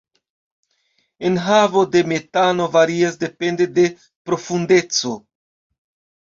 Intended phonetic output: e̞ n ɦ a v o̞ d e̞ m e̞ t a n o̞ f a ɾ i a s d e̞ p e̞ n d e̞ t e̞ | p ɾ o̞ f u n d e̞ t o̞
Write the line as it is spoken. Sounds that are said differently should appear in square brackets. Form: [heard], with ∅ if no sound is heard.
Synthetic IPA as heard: e̞ n ɦ a v o̞ d e̞ m e̞ t a n o̞ [v] a ɾ i a s d e̞ p e̞ n d e̞ [d] e̞ | p ɾ o̞ f u n d e̞ [t͡s] o̞